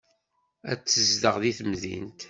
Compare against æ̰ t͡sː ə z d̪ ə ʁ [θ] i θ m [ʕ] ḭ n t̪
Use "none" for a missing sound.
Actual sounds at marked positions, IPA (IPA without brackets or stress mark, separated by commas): ð, ð